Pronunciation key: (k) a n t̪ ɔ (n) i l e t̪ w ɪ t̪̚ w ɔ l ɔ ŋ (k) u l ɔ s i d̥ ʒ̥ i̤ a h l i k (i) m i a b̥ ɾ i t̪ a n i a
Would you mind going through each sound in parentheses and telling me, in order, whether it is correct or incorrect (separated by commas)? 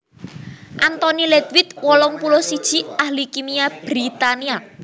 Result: incorrect, correct, incorrect, correct